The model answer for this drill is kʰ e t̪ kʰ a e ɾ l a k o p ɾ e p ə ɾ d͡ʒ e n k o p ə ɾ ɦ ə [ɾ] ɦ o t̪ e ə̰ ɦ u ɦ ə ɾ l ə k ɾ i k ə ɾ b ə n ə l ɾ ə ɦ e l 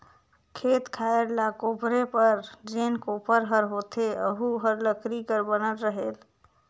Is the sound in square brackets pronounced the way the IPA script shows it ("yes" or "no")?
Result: yes